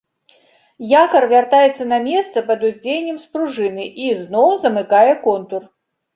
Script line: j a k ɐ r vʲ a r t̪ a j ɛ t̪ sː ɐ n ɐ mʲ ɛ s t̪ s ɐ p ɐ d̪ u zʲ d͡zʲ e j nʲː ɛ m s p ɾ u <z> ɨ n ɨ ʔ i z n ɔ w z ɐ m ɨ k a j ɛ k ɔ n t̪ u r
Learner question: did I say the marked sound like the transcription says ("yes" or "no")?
no